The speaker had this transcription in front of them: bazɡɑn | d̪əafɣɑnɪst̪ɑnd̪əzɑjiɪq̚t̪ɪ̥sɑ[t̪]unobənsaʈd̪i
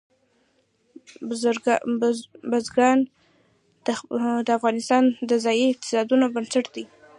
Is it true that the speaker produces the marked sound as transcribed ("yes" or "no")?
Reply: no